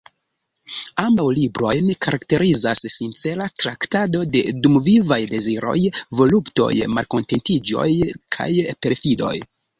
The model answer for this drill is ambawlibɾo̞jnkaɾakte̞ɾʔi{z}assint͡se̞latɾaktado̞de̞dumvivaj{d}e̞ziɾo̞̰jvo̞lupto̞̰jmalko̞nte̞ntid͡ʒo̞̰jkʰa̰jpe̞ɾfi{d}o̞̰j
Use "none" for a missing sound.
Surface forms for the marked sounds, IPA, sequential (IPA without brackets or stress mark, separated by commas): z, d, d